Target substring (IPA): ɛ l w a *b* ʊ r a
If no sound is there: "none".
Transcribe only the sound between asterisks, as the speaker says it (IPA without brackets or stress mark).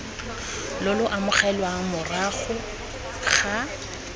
m